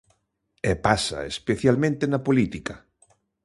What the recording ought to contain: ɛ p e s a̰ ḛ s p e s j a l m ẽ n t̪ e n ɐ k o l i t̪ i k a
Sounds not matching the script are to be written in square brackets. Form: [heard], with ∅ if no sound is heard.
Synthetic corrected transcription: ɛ p [a] s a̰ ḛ s p e [θ] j a l m ẽ n t̪ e n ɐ [p] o l i t̪ i k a